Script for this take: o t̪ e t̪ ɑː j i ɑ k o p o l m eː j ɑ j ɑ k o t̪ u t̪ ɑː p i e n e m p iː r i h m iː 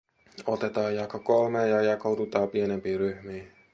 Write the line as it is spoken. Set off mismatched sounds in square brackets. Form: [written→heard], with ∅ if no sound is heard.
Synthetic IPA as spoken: o t̪ e t̪ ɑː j [i→j] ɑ k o [p→k] o l m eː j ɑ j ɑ k o t̪ u t̪ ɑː p i e n e m p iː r [i→y] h m iː